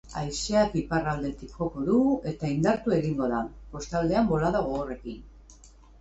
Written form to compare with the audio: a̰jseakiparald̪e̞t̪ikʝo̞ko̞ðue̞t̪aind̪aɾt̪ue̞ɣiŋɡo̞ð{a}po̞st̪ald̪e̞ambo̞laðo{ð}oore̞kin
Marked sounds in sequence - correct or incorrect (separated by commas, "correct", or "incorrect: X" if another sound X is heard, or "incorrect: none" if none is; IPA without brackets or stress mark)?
correct, incorrect: ɣ